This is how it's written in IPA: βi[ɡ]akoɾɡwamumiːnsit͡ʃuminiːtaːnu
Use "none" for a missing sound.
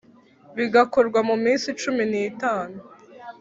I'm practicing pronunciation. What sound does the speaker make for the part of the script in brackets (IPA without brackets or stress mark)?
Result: ɡ